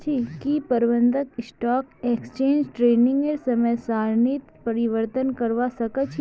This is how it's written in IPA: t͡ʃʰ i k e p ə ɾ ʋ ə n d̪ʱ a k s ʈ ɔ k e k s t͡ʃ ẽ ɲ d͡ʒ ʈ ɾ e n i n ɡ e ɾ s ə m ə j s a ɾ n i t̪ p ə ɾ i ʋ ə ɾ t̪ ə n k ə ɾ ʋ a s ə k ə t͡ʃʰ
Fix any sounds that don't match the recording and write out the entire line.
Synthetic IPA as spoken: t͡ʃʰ i k i p ə ɾ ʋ ə n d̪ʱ ə k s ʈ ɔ k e k s t͡ʃ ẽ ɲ d͡ʒ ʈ ɾ e n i ŋ ɡ e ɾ s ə m ə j s a ɾ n i t̪ p ə ɾ i ʋ ə ɾ t̪ ə n k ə ɾ ʋ a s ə k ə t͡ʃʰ